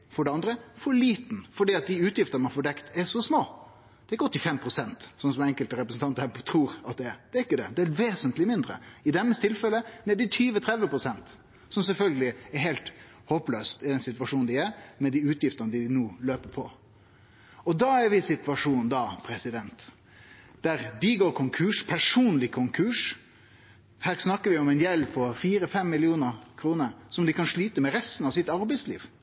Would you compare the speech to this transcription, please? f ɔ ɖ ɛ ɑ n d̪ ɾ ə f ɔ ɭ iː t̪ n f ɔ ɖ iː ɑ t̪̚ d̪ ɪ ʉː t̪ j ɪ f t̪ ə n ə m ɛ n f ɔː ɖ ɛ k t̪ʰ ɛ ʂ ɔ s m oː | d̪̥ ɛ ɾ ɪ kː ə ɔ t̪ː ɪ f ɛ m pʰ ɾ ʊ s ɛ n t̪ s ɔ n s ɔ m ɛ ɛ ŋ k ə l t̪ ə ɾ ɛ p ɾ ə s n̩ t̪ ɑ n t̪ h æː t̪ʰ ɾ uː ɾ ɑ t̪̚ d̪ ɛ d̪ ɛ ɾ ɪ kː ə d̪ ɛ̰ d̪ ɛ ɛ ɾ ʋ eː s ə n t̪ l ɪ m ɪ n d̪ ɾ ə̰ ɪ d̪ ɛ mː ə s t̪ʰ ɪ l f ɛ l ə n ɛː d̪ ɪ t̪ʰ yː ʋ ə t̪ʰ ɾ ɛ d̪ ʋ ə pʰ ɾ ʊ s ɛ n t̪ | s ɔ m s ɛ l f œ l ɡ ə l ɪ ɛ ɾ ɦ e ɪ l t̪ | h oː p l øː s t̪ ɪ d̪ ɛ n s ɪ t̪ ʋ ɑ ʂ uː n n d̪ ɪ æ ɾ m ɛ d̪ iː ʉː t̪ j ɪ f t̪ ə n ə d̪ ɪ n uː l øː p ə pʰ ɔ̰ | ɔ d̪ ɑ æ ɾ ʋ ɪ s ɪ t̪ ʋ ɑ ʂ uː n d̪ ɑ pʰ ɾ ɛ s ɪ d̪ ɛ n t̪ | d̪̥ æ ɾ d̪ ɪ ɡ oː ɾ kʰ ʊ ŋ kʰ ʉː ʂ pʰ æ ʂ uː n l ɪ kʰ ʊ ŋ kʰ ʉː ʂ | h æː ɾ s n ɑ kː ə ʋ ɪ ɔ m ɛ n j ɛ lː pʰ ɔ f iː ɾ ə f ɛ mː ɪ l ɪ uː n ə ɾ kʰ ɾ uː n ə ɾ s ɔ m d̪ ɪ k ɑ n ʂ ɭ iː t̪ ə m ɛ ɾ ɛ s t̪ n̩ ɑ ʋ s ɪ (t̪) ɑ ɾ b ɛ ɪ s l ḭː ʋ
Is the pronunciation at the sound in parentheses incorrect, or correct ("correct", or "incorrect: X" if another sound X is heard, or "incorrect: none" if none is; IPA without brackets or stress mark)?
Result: correct